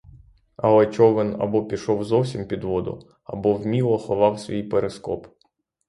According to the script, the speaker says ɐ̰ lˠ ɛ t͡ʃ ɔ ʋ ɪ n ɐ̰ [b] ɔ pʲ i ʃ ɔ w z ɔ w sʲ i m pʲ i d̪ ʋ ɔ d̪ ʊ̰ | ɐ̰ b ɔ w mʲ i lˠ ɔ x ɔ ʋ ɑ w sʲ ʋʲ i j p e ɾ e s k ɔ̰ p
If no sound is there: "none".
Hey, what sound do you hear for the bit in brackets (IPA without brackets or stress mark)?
b